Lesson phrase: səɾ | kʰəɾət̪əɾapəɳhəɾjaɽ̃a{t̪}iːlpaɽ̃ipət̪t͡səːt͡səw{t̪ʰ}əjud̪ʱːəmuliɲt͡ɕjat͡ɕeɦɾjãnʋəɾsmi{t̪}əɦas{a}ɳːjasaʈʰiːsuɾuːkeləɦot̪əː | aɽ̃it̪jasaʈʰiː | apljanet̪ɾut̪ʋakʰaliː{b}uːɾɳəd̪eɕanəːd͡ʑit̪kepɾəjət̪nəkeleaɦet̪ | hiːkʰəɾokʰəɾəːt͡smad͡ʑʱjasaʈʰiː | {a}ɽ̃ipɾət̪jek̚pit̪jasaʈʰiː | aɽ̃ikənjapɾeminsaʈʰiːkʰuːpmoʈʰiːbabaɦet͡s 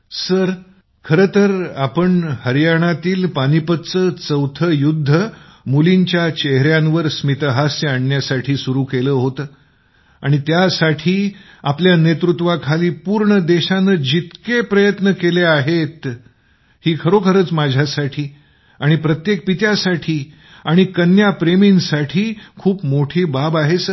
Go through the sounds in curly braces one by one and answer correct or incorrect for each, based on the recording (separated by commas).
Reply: correct, correct, correct, correct, incorrect, correct